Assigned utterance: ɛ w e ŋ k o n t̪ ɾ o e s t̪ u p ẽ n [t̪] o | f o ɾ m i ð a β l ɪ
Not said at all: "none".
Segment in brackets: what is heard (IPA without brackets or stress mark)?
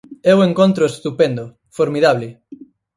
d̪